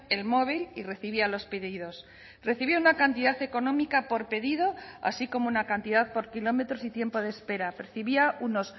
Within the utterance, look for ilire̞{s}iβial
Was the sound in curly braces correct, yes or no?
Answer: no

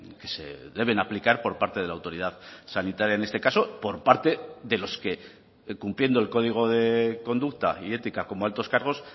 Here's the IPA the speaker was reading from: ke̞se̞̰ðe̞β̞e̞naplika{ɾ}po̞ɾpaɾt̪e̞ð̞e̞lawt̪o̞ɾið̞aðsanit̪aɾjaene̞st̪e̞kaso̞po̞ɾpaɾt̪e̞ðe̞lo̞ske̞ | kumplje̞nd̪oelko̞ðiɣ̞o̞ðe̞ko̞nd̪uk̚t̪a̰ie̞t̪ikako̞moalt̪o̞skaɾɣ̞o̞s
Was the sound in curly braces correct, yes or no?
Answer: yes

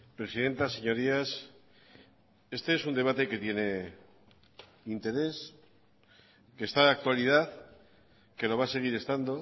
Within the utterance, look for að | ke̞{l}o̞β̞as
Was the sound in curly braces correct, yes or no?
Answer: yes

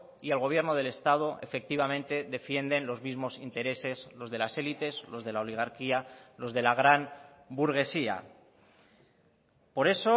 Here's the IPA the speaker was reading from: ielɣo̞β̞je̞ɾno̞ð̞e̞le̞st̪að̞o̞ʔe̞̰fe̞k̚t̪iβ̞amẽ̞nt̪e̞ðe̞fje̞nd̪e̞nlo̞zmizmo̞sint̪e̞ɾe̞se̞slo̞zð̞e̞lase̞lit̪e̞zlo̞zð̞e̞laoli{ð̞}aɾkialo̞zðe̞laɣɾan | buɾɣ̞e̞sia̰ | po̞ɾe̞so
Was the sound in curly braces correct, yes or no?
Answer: no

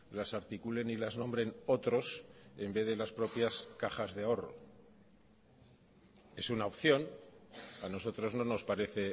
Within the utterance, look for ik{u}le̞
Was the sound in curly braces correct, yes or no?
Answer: yes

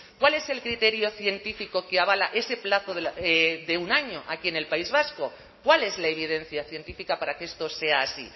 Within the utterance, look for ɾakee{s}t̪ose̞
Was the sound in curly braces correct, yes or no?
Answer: yes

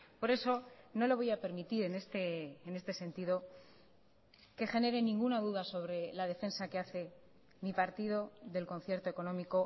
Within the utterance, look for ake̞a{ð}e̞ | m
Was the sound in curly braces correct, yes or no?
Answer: no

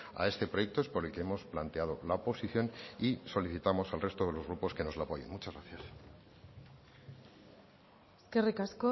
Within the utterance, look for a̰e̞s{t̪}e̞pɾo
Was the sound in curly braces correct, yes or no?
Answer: yes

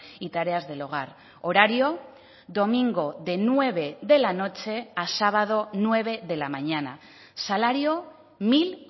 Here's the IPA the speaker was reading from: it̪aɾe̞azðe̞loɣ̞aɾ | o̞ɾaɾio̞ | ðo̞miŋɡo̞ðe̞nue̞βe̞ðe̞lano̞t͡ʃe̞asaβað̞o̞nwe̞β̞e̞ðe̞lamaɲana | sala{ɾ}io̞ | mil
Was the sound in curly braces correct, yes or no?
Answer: yes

